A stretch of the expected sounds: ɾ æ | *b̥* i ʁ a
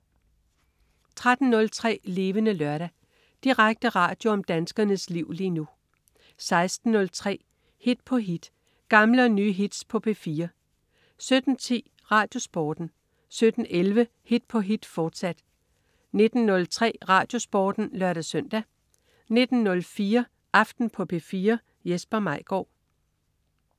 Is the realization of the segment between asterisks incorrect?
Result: yes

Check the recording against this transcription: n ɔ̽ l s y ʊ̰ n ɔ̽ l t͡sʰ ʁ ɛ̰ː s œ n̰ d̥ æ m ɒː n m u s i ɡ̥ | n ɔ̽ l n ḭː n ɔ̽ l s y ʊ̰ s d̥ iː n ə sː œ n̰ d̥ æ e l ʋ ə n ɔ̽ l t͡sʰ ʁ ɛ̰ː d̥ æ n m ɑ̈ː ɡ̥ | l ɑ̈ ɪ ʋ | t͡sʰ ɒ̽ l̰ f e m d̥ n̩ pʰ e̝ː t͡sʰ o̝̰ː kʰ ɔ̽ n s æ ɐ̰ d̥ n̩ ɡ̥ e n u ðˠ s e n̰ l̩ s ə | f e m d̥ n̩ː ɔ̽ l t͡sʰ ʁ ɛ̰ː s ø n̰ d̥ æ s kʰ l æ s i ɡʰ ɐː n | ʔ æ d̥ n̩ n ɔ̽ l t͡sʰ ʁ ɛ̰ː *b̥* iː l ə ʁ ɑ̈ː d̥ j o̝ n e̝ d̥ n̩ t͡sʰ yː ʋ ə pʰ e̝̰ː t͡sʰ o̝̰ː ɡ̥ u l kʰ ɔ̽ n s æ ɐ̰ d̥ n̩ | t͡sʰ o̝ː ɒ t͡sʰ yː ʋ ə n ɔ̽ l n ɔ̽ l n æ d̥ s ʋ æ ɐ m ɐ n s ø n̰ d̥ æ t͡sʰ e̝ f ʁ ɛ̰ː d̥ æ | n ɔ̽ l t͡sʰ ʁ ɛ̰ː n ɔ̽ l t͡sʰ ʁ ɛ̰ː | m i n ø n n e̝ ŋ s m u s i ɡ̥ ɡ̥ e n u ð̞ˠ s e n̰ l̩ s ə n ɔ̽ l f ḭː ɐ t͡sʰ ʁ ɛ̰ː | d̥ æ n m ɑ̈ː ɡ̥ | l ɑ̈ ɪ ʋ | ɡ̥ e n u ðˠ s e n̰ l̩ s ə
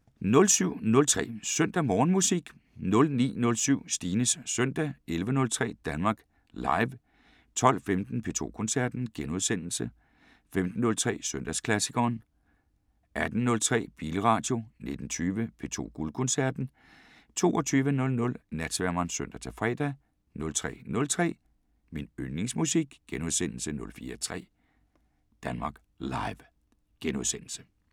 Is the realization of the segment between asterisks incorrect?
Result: no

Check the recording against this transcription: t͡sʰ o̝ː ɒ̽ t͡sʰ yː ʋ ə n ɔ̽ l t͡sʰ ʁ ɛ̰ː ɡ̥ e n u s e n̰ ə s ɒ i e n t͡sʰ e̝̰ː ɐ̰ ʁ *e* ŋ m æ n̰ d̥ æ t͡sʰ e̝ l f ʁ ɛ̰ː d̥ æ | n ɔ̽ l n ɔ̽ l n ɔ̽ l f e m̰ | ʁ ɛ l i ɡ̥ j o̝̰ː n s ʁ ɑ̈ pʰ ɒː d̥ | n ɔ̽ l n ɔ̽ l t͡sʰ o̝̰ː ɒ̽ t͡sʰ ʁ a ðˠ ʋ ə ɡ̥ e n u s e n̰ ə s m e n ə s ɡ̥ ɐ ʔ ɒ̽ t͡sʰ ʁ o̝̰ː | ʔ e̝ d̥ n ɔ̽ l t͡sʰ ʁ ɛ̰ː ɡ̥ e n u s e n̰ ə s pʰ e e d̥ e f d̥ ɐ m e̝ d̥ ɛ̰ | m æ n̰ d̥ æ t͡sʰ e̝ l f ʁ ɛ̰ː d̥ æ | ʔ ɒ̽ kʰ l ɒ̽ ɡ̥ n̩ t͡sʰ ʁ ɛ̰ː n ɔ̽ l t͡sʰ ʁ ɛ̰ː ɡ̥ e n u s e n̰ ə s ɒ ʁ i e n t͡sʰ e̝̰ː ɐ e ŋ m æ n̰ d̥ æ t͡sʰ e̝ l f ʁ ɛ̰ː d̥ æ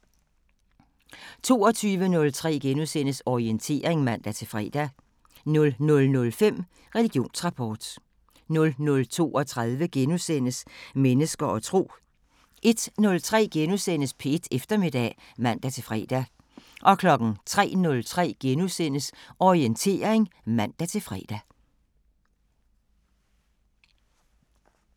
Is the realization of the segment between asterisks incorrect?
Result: no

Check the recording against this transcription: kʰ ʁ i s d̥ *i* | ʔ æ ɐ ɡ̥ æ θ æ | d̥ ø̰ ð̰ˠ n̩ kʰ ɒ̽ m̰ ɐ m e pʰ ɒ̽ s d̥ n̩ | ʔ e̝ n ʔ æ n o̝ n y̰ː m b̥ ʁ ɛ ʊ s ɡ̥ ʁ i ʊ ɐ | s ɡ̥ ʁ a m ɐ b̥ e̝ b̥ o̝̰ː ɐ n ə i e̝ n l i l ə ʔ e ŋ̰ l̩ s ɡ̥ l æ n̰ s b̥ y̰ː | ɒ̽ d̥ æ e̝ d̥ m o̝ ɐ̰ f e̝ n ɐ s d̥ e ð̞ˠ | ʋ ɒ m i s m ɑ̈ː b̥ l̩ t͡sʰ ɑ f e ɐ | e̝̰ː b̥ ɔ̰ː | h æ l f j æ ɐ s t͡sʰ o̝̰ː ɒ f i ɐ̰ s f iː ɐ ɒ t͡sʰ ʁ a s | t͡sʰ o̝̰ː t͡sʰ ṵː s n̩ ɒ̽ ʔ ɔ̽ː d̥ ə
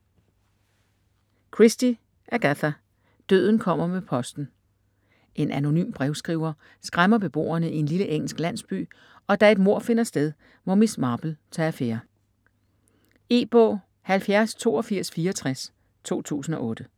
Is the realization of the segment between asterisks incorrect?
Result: no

